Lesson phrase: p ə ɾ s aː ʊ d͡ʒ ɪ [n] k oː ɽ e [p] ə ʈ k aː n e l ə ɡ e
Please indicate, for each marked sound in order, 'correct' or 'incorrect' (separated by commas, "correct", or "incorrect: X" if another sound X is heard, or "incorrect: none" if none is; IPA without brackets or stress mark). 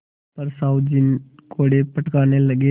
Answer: correct, correct